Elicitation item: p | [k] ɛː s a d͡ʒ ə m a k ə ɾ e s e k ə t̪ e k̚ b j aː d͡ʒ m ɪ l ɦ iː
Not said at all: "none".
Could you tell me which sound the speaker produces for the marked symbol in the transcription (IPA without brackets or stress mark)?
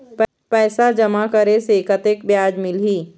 p